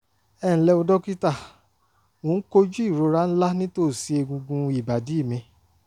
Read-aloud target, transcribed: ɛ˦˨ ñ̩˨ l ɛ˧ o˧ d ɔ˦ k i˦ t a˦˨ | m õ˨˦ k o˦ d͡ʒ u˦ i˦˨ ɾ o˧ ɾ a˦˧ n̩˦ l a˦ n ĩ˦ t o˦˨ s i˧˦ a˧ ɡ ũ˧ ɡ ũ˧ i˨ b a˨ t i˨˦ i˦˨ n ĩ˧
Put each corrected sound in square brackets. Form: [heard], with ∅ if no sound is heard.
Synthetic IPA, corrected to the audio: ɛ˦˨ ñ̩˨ l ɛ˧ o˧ d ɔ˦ k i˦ t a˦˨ | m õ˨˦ k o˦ d͡ʒ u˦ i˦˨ ɾ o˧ ɾ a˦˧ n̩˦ l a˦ n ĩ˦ t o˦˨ s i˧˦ [e˧] ɡ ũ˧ ɡ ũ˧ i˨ b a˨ [d] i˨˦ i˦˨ [m] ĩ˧